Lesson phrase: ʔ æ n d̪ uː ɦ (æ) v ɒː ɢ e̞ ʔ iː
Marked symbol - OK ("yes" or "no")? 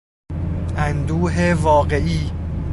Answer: no